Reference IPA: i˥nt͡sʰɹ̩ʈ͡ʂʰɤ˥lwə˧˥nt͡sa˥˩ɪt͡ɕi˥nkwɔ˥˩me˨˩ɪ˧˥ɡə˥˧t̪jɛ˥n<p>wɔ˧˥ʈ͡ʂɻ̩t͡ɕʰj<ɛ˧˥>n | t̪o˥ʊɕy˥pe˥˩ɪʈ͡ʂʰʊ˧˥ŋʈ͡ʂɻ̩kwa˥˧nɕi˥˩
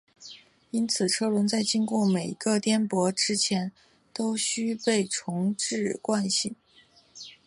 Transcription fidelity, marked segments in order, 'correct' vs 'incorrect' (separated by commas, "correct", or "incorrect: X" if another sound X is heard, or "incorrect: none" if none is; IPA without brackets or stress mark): correct, correct